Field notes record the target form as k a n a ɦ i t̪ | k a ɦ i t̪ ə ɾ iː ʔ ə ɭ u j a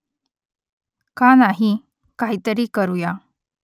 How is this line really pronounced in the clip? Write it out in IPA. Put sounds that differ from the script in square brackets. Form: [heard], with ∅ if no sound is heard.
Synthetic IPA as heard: k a n a ɦ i [∅] | k a ɦ i t̪ ə ɾ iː [k] ə [ɾ] u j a